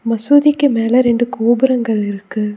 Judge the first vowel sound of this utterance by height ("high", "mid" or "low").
low